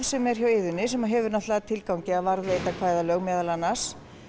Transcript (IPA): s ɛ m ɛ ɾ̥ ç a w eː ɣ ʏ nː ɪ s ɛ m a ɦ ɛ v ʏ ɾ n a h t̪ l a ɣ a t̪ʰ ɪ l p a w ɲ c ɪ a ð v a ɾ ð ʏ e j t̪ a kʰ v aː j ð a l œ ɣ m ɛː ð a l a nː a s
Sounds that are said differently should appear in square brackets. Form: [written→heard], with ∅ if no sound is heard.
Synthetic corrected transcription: s ɛ m ɛ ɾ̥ ç a w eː [ɣ→ð] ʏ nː ɪ s ɛ m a ɦ ɛ v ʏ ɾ n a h t̪ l a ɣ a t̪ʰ ɪ l [p→k] a w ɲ c ɪ a ð v a ɾ ð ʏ e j t̪ a kʰ v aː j ð a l œ ɣ m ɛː ð a l a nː a s

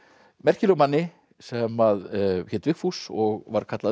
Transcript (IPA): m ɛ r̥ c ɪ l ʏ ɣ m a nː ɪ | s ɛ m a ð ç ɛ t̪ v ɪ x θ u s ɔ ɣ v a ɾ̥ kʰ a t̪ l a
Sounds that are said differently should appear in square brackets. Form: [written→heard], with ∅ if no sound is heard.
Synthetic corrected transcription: m ɛ r̥ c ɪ l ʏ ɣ m a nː ɪ | s ɛ m a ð ç ɛ t̪ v ɪ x [θ→f] u s ɔ ɣ v a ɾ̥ kʰ a t̪ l a

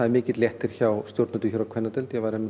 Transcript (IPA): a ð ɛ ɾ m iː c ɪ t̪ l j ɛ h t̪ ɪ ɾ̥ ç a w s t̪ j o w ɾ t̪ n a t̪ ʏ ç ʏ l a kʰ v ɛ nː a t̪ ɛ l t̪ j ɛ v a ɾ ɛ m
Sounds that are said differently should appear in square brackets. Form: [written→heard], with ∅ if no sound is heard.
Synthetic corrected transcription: a ð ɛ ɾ m [iː→ɪː] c ɪ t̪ l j ɛ h t̪ ɪ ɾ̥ ç a w s t̪ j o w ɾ t̪ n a t̪ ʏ ç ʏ [l→ɾ] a kʰ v ɛ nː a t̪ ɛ l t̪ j ɛ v a ɾ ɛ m

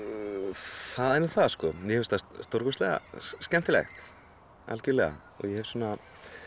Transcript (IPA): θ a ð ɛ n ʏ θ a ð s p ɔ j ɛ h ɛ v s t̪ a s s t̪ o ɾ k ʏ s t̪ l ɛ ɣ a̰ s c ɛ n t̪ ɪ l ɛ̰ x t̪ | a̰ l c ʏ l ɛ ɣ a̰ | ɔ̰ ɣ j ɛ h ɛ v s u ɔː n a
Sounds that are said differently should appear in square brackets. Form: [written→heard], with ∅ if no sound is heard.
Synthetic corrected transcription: θ a ð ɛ n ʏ θ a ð s [p→k] ɔ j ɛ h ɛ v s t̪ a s s t̪ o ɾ k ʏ s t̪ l ɛ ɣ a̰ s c ɛ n t̪ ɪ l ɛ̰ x t̪ | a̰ l c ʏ l ɛ ɣ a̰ | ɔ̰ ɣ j ɛ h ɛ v s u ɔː n a

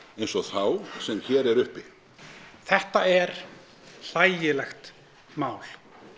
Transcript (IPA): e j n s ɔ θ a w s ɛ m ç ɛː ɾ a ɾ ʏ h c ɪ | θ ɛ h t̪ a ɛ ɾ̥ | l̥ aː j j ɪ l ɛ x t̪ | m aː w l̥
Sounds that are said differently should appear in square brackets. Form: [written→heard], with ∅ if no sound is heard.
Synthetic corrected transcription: e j n s ɔ θ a w s ɛ m ç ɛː ɾ [a→ɛ] ɾ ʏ h [c→p] ɪ | θ ɛ h t̪ a ɛ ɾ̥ | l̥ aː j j ɪ l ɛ x t̪ | m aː w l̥

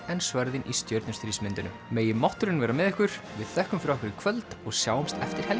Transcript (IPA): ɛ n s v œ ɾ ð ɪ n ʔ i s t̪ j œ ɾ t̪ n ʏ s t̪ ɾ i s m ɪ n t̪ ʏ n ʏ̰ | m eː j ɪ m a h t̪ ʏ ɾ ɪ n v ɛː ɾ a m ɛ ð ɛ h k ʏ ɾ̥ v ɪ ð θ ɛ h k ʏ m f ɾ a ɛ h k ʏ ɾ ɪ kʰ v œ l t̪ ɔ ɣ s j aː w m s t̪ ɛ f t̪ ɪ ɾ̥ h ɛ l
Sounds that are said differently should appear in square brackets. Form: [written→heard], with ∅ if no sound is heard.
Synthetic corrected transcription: ɛ n s v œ ɾ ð ɪ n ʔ i s t̪ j œ ɾ t̪ n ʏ s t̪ ɾ i s m ɪ n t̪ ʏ n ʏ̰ | m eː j ɪ m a h t̪ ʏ ɾ ɪ n v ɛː ɾ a m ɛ ð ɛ h k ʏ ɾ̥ v ɪ ð θ ɛ h k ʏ m f ɾ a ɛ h k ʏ ɾ ɪ kʰ v œ l t̪ ɔ ɣ s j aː w m s t̪ ɛ f t̪ ɪ ɾ̥ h ɛ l

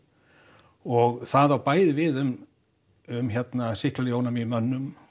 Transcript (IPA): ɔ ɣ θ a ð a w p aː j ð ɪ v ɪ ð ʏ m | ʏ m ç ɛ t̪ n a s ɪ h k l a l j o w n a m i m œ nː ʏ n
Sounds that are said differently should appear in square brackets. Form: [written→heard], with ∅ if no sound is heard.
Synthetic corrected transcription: ɔ ɣ θ a ð a w p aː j ð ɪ v ɪ ð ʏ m | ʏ m ç ɛ t̪ n a s ɪ h k l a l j o w n a m i m œ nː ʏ [n→m]

